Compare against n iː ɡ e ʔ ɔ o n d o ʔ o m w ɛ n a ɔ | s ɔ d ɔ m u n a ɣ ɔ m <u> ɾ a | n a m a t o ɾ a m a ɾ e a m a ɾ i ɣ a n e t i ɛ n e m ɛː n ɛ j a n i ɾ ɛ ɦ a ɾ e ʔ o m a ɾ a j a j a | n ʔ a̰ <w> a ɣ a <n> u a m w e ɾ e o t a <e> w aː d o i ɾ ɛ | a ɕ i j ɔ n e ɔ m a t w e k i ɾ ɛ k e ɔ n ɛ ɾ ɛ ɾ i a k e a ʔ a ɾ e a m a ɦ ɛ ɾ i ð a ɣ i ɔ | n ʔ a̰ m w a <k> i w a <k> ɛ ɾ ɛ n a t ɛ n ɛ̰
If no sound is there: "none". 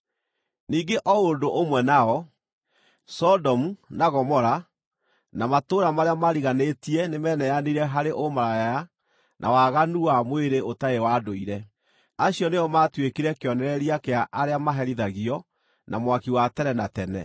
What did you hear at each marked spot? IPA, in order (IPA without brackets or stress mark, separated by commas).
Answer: ɔ, w, n, e, k, t